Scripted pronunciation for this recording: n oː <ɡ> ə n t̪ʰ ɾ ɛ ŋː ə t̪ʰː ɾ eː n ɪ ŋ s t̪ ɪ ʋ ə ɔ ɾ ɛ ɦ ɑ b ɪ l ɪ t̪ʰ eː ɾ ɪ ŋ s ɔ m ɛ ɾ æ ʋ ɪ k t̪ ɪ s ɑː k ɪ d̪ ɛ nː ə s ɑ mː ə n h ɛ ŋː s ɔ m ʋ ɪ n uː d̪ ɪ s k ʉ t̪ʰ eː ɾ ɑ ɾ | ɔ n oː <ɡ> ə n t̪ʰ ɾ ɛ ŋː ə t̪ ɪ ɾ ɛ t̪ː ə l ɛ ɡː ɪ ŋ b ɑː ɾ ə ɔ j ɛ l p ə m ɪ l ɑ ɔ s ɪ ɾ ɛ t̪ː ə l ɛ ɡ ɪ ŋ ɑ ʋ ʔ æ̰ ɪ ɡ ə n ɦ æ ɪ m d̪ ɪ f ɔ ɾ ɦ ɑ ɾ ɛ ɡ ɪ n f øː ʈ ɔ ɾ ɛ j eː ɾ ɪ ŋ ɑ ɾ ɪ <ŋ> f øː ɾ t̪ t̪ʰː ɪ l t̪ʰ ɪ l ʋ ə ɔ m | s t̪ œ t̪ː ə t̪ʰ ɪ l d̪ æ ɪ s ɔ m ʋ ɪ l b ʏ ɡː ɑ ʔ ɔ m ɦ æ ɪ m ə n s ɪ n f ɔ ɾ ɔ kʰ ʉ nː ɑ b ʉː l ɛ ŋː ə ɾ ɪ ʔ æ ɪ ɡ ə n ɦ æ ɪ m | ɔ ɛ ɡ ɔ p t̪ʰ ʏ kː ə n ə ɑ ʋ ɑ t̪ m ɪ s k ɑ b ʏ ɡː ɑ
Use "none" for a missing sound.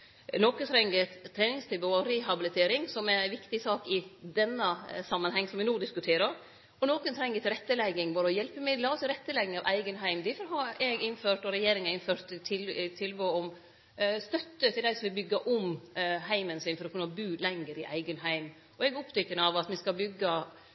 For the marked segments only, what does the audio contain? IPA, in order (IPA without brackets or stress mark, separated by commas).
k, k, n